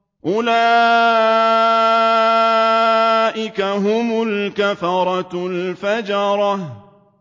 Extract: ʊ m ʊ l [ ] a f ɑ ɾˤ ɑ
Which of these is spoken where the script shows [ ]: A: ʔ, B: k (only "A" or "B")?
B